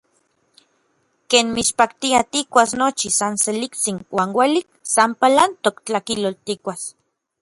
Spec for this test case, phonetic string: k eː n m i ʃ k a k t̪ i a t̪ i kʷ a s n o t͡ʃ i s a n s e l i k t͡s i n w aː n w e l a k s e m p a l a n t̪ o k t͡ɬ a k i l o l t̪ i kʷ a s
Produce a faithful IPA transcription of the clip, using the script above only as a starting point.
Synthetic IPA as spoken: k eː n m i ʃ p a k t̪ i a t̪ i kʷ a s n o t͡ʃ i s a n s e l i k t͡s i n w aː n w e l i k s a m p a l a n t̪ o k t͡ɬ a k i l o l t̪ i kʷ a s